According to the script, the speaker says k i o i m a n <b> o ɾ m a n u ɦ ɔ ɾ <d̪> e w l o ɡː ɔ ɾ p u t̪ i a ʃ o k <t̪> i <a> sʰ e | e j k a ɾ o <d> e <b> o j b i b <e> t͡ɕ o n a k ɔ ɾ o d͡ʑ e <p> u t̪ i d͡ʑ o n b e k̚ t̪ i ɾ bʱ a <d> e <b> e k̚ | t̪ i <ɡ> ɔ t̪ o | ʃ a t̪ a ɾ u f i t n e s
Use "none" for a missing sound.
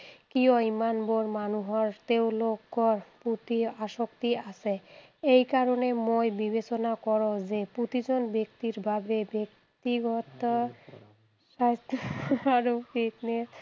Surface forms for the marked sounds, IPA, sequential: b, t̪, t̪, a, n, m, e, p, b, b, ɡ

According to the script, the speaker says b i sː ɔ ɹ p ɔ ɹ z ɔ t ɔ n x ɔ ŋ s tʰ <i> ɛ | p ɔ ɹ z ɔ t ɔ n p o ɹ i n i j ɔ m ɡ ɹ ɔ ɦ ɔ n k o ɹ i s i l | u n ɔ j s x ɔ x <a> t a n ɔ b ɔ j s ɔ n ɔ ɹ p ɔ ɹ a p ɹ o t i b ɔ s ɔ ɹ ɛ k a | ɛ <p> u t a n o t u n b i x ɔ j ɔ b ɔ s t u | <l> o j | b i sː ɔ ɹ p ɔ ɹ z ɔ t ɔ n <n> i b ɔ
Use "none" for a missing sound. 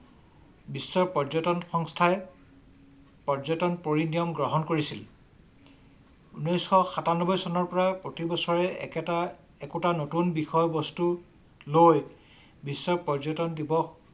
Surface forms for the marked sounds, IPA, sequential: a, a, k, l, d

